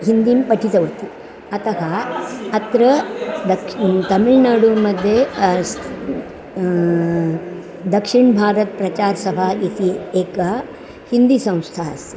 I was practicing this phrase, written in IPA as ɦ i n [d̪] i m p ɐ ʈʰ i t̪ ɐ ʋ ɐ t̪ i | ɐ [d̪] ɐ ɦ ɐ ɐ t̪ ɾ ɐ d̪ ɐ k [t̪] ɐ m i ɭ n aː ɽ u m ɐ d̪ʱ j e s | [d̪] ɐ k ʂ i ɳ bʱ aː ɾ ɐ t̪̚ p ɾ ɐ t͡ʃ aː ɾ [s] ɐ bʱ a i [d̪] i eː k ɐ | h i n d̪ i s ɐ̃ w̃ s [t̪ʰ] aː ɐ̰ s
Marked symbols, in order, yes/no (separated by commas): yes, no, yes, yes, yes, no, yes